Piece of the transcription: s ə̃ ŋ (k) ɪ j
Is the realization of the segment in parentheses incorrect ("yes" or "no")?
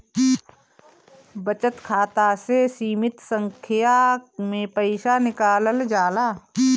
yes